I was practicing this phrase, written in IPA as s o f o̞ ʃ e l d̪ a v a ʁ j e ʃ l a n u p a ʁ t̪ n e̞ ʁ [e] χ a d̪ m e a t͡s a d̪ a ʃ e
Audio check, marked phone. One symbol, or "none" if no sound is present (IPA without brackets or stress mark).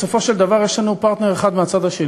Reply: e